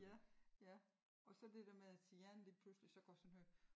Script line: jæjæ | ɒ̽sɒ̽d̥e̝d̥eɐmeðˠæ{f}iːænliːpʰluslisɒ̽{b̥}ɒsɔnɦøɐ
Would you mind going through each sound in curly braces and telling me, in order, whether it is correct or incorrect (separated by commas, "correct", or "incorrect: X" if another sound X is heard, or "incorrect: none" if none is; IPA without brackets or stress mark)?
incorrect: s, incorrect: ɡ̥